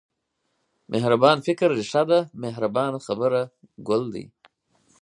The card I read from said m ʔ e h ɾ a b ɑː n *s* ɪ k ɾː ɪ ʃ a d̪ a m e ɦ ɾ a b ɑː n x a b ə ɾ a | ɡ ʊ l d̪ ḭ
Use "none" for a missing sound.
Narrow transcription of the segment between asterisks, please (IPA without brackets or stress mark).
f